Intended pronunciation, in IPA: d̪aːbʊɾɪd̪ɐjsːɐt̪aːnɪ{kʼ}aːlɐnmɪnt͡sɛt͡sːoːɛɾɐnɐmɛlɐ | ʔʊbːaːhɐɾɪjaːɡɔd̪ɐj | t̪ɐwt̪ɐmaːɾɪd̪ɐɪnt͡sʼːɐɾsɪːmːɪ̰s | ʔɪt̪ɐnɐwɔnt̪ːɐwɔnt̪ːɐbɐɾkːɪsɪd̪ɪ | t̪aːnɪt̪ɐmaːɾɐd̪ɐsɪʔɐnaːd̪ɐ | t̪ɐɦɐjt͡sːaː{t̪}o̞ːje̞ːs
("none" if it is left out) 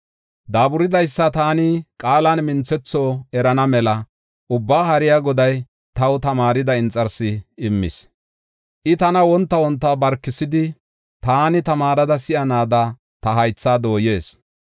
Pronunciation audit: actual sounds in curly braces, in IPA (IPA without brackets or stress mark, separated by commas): kʼ, d̪